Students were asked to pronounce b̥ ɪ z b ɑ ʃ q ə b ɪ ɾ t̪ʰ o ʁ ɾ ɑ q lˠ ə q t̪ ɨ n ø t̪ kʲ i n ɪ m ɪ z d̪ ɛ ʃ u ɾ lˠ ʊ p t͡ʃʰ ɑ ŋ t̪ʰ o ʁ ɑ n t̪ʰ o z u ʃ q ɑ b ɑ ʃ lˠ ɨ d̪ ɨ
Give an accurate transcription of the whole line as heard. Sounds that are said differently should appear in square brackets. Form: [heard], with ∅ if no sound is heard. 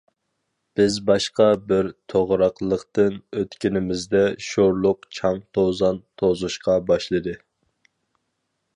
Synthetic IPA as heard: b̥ ɪ z b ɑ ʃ q [ɑ] b ɪ ɾ t̪ʰ o ʁ ɾ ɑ q lˠ ə q t̪ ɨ n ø t̪ kʲ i n ɪ m ɪ z d̪ ɛ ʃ [o] ɾ lˠ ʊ [q] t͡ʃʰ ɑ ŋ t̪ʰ o [z] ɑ n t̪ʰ o z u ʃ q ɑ b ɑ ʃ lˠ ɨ d̪ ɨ